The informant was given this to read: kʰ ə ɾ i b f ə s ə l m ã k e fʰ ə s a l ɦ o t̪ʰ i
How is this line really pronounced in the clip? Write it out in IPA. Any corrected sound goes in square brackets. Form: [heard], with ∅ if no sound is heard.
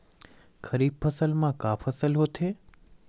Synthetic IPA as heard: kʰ ə ɾ i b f ə s ə l m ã k [a] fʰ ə s [ə] l ɦ o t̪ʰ [e]